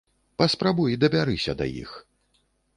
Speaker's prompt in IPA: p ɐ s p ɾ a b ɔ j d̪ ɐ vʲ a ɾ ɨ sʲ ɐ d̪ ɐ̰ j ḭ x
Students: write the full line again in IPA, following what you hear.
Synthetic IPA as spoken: p ɐ s p ɾ a b u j d̪ ɐ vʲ a ɾ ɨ sʲ ɐ d̪ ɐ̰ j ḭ x